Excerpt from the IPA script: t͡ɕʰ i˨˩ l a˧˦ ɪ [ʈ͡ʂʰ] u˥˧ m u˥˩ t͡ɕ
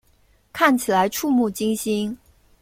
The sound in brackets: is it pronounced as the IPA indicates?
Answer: yes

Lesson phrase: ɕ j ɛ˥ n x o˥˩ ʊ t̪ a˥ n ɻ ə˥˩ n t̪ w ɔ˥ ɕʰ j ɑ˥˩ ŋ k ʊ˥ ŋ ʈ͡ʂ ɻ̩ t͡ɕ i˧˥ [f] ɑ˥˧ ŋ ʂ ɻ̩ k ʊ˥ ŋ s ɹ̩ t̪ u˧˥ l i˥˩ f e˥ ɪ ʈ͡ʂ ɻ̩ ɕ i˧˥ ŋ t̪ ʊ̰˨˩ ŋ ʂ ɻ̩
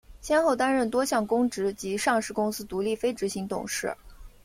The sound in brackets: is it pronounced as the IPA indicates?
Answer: no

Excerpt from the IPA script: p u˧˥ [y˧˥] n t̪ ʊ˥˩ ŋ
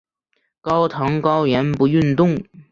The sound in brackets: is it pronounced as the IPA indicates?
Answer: no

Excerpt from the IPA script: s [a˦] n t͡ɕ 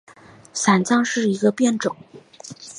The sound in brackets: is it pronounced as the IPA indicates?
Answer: no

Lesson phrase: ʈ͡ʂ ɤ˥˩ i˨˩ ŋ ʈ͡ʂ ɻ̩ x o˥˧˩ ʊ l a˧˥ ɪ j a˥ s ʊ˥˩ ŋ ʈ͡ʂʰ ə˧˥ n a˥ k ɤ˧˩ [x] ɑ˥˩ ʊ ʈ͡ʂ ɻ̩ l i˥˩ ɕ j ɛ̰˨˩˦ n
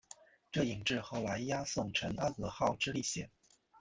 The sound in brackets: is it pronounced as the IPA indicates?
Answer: yes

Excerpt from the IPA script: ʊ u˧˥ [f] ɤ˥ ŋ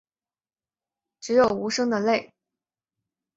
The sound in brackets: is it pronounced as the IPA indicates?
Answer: no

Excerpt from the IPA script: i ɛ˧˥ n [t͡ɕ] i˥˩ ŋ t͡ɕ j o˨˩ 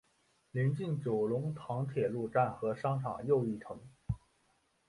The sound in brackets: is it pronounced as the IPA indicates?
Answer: yes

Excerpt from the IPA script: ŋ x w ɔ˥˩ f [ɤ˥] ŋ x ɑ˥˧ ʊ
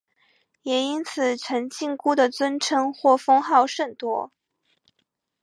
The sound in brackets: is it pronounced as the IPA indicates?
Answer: yes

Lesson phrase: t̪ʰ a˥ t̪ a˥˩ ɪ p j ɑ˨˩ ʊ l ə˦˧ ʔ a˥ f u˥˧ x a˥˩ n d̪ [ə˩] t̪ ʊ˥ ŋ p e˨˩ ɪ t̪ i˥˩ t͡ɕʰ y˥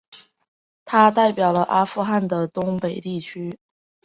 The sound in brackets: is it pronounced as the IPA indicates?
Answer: yes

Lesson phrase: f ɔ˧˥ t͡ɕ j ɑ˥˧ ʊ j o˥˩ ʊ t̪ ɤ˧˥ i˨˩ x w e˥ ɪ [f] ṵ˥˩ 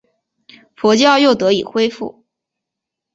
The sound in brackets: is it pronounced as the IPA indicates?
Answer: yes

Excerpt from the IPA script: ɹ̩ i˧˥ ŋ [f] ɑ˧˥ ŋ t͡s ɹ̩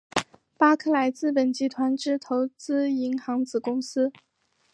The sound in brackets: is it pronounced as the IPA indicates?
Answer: no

